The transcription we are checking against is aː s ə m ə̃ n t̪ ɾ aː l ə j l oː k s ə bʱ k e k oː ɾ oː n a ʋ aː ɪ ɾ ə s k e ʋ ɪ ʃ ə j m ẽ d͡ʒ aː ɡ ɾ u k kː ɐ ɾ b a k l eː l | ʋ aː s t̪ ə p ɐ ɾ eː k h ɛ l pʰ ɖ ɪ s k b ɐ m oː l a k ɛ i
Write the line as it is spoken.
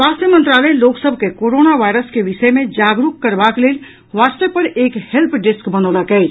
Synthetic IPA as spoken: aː s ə m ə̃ n t̪ ɾ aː l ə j l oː k s ə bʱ k e k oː ɾ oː n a ʋ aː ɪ ɾ ə s k e ʋ ɪ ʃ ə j m ẽ d͡ʒ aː ɡ ɾ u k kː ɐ ɾ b a k l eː l | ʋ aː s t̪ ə p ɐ ɾ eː k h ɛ l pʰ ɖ ɪ s k b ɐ n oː l a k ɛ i